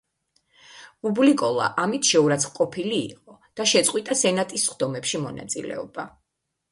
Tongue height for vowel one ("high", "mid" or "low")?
high